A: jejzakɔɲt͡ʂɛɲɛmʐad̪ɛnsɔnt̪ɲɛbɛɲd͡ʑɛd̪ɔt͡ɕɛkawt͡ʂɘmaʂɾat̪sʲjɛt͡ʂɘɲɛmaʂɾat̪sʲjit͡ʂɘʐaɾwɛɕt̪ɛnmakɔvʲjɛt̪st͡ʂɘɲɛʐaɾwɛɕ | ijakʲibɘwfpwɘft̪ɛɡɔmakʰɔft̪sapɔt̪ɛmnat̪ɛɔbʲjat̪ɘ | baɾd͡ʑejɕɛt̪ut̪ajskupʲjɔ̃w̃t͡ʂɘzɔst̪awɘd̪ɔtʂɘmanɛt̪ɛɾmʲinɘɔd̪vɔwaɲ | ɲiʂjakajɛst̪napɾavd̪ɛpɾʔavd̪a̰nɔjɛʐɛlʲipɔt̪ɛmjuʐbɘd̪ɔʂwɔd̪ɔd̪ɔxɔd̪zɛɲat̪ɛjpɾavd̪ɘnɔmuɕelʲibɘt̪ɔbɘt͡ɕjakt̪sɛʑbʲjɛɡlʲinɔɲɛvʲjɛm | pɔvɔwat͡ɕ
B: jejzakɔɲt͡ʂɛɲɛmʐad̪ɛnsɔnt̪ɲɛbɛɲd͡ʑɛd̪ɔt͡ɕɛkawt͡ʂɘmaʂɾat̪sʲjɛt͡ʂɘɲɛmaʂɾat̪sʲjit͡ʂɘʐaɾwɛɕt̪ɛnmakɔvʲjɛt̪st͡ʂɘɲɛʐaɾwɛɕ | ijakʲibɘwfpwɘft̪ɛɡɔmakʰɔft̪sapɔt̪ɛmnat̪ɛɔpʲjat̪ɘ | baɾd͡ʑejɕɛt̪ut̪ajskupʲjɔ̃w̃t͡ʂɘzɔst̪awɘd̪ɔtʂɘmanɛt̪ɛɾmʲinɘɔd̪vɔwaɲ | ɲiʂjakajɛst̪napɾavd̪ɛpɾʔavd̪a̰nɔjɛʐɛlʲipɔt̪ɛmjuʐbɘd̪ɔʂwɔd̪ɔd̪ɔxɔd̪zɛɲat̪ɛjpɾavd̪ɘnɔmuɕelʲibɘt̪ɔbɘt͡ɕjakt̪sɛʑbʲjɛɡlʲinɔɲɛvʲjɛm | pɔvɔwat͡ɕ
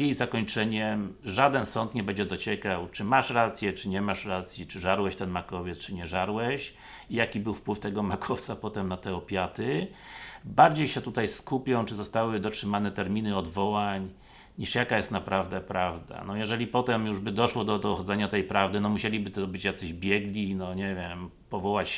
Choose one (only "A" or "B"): B